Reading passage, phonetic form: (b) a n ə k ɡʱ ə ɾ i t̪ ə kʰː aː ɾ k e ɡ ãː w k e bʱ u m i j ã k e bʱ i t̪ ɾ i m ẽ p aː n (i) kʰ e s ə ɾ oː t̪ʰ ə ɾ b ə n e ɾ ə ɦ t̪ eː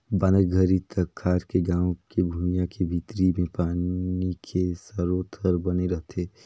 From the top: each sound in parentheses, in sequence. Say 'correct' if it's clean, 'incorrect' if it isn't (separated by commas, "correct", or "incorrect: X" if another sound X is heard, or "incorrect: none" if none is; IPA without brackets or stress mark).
correct, correct